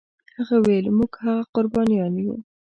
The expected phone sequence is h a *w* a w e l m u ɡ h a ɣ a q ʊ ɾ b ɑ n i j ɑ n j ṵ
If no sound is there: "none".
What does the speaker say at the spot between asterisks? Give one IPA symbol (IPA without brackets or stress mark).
ɣ